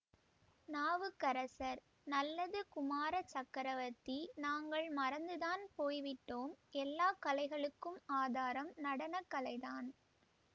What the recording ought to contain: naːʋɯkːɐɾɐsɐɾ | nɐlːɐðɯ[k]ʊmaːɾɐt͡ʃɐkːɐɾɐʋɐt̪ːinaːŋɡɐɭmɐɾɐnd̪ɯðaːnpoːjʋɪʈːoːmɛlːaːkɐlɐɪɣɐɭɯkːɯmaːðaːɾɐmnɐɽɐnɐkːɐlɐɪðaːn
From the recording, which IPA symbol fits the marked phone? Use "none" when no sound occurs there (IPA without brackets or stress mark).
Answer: k